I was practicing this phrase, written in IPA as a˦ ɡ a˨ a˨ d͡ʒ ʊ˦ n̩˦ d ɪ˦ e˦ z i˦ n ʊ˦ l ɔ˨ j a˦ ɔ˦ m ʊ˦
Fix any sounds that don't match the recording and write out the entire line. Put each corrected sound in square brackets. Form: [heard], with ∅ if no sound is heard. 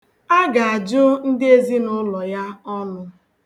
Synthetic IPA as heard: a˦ ɡ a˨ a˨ d͡ʒ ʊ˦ n̩˦ d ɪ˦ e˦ z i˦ n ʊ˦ l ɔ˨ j a˦ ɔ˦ [n] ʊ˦